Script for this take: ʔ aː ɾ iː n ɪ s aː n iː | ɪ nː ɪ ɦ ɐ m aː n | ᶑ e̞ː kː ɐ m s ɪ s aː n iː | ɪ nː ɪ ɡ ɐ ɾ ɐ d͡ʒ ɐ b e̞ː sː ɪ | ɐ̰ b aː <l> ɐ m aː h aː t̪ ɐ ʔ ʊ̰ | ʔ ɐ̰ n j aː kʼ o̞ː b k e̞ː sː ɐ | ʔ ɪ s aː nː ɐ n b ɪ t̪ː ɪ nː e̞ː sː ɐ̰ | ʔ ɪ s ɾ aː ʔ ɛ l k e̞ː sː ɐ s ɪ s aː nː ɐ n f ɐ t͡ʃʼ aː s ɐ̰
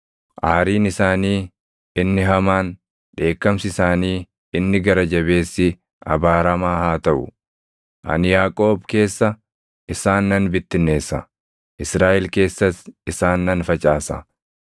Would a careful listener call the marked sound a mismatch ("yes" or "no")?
yes